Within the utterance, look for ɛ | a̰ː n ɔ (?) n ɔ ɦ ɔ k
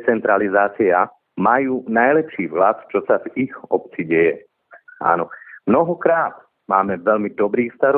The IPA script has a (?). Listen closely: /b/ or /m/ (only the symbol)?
m